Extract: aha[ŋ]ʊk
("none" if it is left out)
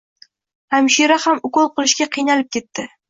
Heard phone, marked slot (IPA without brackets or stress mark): m